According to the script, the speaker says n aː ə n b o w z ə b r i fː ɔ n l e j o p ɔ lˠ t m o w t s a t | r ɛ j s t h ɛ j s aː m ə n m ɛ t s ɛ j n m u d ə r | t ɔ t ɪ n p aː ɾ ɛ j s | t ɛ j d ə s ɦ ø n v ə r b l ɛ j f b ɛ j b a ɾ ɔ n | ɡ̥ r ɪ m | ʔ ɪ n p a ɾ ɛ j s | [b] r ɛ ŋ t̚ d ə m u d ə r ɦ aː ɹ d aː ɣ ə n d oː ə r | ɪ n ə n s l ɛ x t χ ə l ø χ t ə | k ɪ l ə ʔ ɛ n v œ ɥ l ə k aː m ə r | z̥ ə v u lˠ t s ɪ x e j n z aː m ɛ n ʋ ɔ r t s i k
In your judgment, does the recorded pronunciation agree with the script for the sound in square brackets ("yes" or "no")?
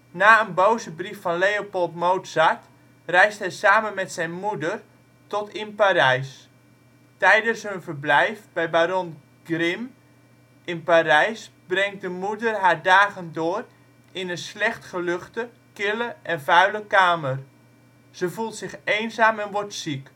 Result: yes